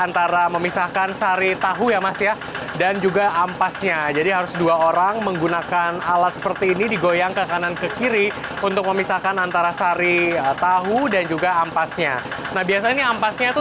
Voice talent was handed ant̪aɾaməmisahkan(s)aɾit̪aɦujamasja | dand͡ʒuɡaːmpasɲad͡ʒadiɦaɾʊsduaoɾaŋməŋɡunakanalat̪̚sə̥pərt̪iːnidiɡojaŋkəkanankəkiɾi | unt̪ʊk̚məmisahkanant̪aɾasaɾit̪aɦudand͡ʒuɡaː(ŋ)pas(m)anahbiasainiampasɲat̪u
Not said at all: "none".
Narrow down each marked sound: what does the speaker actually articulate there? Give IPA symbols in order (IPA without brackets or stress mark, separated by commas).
s, m, ɲ